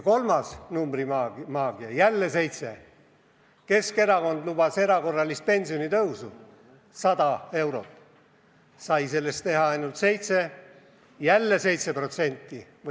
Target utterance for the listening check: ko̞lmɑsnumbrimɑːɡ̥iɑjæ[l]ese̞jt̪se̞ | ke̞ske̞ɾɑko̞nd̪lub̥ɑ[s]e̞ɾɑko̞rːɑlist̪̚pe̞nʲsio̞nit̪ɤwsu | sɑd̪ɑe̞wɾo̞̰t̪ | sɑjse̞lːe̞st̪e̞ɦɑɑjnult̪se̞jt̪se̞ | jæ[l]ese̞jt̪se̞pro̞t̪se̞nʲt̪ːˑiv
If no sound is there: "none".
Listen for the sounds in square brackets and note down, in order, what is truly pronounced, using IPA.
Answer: lː, s, lː

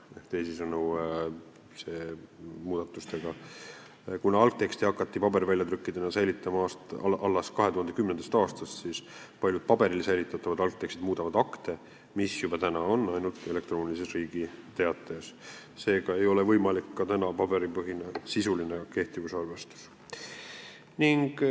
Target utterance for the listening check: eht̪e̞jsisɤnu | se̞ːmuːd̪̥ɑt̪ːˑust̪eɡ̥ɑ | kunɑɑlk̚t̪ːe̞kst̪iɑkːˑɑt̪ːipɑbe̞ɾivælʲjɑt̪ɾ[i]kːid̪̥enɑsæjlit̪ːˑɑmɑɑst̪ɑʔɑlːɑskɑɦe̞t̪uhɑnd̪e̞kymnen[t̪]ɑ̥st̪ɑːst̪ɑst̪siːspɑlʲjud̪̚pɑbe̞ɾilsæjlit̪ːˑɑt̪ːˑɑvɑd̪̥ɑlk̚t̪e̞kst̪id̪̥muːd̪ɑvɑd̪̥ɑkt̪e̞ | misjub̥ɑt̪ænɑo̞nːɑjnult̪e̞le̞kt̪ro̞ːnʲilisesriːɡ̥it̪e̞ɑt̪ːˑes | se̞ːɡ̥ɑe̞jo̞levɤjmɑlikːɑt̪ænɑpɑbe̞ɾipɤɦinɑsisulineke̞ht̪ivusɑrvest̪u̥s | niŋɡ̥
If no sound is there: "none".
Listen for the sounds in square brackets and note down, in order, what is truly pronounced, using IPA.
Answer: y, d̪

